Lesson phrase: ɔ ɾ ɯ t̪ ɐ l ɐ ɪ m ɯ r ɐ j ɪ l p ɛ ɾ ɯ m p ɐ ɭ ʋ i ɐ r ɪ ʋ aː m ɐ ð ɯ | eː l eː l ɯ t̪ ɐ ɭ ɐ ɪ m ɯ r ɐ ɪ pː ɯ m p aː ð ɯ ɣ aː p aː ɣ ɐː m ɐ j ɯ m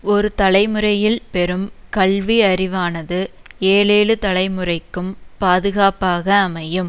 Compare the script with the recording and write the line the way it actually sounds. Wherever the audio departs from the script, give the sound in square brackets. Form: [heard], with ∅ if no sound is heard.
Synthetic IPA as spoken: ɔ ɾ ɯ t̪ ɐ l ɐ ɪ m ɯ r ɐ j ɪ l p ɛ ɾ ɯ m [k] ɐ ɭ ʋ i ɐ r ɪ ʋ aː [n] ɐ ð ɯ | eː l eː l ɯ t̪ ɐ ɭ ɐ ɪ m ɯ r ɐ ɪ [kː] ɯ m p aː ð ɯ ɣ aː p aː ɣ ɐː m ɐ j ɯ m